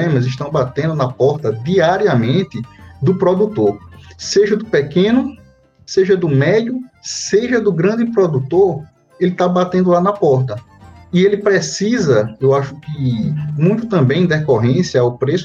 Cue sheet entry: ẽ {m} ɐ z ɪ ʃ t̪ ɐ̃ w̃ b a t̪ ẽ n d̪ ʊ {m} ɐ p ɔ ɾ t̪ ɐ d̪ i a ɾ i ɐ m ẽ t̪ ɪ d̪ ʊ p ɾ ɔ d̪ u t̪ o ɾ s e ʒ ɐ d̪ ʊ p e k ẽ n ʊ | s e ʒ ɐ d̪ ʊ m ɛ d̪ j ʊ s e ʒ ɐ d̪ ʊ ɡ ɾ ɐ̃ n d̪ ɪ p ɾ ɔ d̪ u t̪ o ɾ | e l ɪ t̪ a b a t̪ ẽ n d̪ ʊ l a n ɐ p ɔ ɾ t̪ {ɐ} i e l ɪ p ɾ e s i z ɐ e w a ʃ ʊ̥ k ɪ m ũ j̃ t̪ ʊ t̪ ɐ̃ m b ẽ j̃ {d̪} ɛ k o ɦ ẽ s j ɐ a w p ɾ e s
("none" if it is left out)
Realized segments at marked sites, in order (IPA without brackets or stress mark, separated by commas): m, n, ɐ, d̪